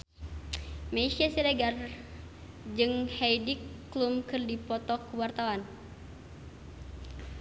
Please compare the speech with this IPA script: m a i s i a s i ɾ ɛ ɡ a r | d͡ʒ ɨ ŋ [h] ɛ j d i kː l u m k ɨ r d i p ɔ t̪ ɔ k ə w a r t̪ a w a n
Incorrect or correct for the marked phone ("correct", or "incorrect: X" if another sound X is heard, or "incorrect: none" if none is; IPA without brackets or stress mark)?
correct